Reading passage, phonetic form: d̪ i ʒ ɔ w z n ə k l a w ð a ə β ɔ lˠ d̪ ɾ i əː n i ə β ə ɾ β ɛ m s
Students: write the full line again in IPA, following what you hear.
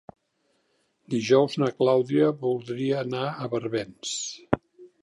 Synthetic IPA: d̪ i ʒ ɔ w z n ə k l a w ð i ə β u lˠ d̪ ɾ i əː n a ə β ə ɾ β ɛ n s